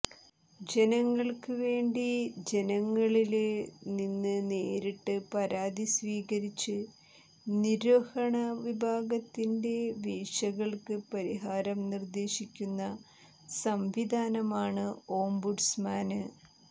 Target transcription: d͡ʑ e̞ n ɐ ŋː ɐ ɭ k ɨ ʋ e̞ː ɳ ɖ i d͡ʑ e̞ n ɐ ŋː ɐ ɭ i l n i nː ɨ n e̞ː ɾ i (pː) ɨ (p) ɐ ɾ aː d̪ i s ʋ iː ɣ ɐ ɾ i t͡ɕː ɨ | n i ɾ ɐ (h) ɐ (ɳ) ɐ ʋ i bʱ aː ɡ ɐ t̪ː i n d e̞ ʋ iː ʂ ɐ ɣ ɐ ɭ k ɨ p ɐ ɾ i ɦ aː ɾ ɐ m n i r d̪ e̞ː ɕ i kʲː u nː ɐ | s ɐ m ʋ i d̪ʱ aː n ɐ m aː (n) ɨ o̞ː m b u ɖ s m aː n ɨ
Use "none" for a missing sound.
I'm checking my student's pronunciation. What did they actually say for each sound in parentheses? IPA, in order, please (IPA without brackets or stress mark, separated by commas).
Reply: ʈː, p, h, ɳ, ɳ